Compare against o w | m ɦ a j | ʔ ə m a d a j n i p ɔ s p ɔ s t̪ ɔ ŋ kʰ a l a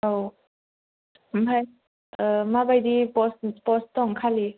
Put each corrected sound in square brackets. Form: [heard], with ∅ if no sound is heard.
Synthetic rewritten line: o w | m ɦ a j | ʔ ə m a [b] a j [d] i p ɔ s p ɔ s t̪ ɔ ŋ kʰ a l [i]